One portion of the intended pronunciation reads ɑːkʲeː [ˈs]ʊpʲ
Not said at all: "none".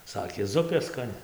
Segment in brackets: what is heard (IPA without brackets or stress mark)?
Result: z